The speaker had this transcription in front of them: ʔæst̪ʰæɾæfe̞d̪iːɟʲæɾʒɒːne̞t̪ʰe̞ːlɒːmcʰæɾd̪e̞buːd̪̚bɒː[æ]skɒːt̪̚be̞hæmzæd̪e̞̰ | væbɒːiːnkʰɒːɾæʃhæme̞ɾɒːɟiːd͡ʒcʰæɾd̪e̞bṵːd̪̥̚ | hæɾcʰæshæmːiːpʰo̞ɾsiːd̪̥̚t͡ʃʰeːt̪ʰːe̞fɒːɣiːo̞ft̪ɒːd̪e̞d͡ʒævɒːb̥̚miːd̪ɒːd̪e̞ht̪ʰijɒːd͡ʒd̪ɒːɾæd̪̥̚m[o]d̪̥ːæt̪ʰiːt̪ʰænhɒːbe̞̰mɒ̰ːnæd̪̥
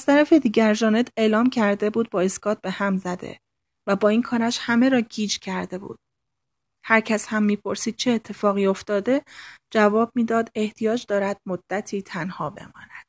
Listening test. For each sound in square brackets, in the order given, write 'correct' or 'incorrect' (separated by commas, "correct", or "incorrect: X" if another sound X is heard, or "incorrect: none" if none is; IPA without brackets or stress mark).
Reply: incorrect: e, correct